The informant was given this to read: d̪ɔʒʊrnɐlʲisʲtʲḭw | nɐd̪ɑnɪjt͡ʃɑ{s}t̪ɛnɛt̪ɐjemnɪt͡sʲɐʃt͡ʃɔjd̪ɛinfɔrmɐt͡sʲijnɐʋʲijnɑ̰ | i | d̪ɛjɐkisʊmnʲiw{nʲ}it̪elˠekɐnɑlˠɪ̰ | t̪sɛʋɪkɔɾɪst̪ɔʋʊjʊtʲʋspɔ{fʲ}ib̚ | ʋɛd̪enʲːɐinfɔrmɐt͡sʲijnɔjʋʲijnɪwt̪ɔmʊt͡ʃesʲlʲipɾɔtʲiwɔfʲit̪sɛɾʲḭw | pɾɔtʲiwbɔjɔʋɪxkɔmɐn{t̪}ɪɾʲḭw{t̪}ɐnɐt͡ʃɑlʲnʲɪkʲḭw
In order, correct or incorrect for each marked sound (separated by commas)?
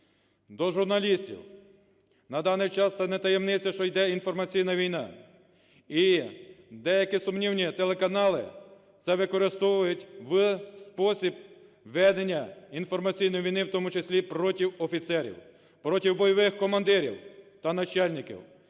correct, correct, incorrect, incorrect, correct